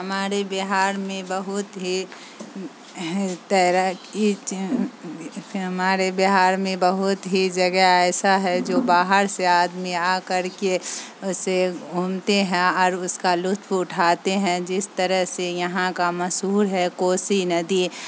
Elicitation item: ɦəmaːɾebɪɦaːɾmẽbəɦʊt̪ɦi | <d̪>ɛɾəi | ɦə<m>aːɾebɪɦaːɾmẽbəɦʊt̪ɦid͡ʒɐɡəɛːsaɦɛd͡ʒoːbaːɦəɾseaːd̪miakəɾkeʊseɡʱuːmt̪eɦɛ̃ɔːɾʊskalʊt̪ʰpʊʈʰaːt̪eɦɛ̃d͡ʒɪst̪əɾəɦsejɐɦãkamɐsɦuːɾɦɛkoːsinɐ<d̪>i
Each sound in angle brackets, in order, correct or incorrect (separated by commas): incorrect, correct, correct